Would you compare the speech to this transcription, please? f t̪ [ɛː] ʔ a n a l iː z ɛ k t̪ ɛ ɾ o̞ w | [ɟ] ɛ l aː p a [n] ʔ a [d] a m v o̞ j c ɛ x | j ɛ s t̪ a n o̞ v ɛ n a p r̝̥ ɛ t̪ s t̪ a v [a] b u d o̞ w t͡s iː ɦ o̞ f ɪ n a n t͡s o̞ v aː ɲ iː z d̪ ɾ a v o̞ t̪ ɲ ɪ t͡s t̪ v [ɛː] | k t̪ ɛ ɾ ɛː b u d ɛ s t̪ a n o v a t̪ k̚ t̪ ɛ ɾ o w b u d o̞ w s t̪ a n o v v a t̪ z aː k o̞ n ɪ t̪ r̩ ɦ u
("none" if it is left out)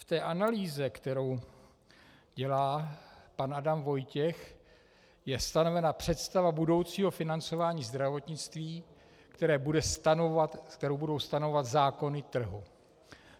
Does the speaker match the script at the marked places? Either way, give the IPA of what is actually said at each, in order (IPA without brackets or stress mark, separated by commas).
ɛː, ɟ, n, d, a, iː